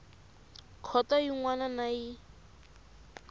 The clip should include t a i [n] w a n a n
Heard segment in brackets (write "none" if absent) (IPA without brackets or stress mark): ŋ